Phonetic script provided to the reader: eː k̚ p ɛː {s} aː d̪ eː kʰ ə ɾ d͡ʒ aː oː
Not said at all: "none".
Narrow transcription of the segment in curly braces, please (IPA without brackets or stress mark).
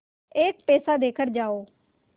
s